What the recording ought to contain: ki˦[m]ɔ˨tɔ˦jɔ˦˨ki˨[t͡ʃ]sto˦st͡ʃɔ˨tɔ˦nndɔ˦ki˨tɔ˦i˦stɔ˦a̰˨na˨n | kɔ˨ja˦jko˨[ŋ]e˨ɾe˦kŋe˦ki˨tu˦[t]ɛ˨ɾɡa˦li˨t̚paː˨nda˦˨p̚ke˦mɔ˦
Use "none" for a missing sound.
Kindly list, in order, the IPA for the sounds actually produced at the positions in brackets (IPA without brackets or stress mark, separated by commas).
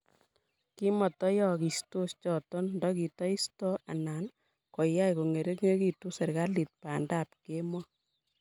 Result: m, none, ŋ, s